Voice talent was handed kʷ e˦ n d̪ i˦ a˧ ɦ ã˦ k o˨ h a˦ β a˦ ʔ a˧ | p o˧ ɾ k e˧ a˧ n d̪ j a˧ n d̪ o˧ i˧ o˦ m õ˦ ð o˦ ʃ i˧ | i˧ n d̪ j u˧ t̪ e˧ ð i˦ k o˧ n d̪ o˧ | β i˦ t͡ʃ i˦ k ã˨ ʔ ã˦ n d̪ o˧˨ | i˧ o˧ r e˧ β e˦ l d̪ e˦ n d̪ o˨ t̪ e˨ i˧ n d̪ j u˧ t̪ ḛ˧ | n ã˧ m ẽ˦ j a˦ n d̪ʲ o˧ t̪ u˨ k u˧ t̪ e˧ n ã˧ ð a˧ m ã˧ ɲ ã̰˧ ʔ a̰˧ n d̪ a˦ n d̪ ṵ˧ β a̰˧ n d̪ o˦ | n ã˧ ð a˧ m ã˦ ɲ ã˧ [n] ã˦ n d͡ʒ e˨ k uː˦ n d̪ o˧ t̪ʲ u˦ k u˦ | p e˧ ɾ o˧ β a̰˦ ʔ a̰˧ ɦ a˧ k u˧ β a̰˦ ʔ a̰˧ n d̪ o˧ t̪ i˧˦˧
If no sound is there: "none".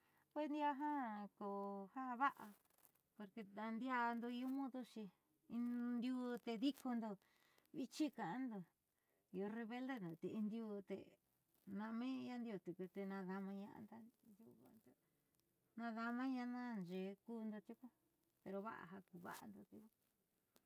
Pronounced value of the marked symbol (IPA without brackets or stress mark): n